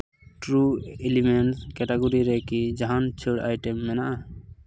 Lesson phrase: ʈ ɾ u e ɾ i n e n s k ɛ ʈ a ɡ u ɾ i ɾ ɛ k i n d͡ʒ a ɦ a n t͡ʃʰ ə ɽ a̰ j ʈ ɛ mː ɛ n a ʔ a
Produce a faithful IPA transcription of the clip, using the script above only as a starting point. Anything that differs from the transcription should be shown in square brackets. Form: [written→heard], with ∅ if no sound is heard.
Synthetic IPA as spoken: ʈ ɾ u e [ɾ→l] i [n→m] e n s k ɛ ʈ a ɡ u ɾ i ɾ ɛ k i [n→∅] d͡ʒ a ɦ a n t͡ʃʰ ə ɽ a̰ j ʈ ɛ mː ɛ n a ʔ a